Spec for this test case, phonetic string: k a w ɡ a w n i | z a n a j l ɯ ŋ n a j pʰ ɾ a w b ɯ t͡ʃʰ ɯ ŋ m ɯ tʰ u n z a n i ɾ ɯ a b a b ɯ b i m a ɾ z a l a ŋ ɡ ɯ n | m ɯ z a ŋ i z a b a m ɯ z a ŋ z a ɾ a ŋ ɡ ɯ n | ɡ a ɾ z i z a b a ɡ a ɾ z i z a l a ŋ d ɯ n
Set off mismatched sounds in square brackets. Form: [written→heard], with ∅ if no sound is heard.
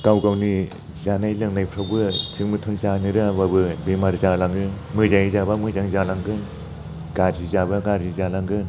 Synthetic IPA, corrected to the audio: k a w ɡ a w n i | z a n a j l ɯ ŋ n a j pʰ ɾ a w b ɯ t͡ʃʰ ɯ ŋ m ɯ tʰ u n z a n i ɾ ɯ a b a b ɯ b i m a ɾ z a l a ŋ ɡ ɯ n | m ɯ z a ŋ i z a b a m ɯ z a ŋ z a [ɾ→l] a ŋ ɡ ɯ n | ɡ a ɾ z i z a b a ɡ a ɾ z i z a l a ŋ [d→ɡ] ɯ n